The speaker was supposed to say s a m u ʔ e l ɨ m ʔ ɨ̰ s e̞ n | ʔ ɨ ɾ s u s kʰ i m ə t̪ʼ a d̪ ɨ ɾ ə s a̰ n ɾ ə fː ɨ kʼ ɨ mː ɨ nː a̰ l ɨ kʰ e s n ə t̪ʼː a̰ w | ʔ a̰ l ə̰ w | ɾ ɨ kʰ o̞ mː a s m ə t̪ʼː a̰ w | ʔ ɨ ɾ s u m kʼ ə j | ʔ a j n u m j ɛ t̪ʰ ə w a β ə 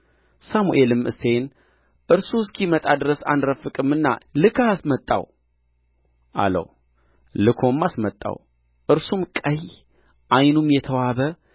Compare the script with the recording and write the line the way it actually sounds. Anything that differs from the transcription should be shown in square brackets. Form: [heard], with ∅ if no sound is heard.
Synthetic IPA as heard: s a m u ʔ e l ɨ m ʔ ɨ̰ s e̞ n | ʔ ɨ ɾ s u s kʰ i m ə t̪ʼ a d̪ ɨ ɾ ə s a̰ n ɾ ə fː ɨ kʼ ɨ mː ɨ nː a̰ l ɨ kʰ [a] s [m] ə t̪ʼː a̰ w | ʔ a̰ l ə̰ w | [l] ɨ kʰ o̞ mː a s m ə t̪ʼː a̰ w | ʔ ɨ ɾ s u m kʼ ə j | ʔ a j n u m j ɛ t̪ʰ ə w a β ə